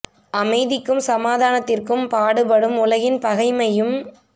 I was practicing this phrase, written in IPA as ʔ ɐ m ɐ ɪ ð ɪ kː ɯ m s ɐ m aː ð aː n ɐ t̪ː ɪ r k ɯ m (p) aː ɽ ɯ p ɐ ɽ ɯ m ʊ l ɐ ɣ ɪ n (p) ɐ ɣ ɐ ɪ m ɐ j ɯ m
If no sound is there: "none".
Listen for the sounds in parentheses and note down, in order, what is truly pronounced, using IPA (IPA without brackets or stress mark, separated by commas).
p, p